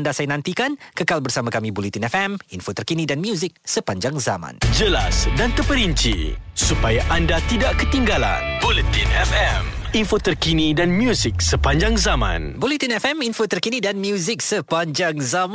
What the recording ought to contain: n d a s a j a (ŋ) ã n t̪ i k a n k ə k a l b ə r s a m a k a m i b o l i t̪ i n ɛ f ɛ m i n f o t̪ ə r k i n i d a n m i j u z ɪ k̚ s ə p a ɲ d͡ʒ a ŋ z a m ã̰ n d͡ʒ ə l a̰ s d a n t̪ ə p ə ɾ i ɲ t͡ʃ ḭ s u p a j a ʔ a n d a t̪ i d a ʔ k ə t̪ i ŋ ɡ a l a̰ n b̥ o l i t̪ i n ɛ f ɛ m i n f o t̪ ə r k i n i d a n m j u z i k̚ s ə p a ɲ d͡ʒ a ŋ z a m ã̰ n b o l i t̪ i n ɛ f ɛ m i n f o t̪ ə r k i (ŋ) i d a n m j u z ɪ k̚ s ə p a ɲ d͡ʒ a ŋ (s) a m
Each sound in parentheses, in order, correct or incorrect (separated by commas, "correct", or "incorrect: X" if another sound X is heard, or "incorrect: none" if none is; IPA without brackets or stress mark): incorrect: n, incorrect: n, incorrect: z